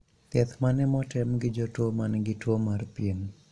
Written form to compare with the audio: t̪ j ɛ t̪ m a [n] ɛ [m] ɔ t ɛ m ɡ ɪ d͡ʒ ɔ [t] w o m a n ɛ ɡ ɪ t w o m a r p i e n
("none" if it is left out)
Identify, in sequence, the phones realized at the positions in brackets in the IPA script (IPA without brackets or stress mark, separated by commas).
n, m, t